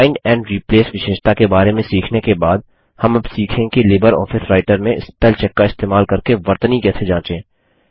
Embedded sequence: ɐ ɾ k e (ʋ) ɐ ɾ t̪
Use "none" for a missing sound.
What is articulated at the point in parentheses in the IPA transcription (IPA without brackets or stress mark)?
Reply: ʋ